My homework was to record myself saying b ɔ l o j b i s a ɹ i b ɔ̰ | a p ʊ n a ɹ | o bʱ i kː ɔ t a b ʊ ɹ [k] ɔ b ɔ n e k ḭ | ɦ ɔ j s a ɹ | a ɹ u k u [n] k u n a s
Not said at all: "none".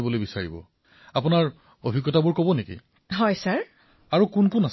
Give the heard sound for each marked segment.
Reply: k, n

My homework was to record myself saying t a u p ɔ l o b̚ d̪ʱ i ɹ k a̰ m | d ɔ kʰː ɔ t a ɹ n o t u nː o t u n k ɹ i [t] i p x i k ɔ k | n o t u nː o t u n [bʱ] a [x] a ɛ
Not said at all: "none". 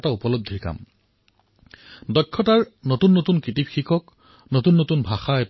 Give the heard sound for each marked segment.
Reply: t, bʱ, x

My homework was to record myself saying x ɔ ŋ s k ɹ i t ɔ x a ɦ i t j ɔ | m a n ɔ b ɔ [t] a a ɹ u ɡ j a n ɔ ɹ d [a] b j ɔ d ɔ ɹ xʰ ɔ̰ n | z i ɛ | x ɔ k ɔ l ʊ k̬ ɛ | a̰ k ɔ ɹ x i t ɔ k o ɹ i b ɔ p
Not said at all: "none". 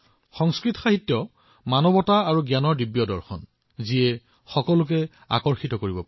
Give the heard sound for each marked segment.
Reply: t, i

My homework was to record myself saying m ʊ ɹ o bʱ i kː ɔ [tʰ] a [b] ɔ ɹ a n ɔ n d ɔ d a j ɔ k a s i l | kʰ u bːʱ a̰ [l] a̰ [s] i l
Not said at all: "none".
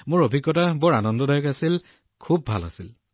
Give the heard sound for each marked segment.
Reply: t, b, l, s

